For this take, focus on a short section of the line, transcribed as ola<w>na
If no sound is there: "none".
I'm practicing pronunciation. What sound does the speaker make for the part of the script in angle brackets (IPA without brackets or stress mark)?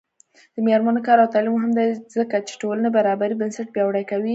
none